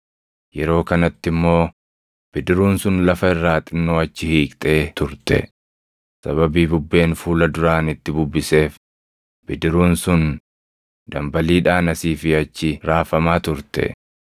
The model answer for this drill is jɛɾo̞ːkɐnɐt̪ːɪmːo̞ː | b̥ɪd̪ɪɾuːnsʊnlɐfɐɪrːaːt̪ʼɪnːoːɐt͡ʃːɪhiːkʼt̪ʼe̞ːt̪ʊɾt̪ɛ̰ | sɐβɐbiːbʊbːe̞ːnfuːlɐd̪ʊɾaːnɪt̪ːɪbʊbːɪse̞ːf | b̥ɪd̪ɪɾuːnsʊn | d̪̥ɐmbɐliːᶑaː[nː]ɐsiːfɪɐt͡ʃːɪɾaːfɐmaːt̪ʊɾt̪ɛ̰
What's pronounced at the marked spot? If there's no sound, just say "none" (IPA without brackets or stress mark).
n